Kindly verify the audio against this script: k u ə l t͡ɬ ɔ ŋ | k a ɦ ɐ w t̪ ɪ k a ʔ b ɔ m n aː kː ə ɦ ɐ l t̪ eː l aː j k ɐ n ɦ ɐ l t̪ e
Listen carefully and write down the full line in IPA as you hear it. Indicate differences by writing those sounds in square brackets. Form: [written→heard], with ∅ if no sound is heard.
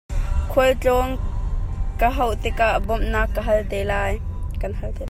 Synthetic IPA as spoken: [k→kʰ] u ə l t͡ɬ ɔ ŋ | k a ɦ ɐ w t̪ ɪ k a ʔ b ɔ m n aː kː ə ɦ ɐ l t̪ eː l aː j k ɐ n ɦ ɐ l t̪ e